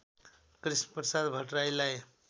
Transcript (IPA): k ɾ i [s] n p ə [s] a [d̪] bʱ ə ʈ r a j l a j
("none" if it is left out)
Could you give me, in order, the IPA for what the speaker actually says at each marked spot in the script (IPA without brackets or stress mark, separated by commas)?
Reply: s, s, d̪